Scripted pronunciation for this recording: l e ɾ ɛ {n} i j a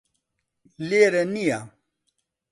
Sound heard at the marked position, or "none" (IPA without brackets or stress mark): n